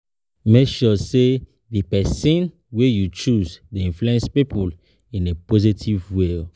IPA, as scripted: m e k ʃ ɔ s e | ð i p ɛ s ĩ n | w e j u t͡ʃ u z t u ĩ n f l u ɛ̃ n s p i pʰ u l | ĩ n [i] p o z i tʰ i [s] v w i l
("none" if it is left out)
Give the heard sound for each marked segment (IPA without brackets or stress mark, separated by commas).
e, none